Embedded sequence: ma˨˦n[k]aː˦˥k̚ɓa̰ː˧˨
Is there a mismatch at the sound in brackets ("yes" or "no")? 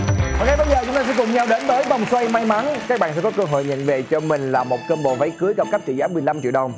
no